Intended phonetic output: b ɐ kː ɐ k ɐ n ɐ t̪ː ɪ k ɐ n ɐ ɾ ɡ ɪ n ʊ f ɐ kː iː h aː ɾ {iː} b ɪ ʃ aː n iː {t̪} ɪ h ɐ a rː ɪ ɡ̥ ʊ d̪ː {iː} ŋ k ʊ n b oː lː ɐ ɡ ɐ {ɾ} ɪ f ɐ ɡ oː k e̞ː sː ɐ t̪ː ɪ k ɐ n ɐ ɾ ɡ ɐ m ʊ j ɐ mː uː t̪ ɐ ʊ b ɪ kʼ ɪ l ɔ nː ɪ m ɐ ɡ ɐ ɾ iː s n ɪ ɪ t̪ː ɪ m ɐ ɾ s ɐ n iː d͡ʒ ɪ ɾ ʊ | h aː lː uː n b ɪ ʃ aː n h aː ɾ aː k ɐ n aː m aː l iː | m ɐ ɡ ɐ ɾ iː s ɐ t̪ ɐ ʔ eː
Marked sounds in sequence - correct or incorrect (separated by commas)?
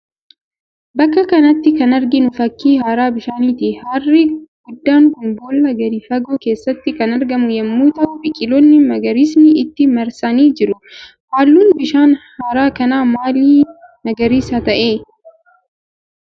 incorrect, correct, incorrect, correct